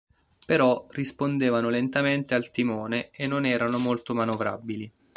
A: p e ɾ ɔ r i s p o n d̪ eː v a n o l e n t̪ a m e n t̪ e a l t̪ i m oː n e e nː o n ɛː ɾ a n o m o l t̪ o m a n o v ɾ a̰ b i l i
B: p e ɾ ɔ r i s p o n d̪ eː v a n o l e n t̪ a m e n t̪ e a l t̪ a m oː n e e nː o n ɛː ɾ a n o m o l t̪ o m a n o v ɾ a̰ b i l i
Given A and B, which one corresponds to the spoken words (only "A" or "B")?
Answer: A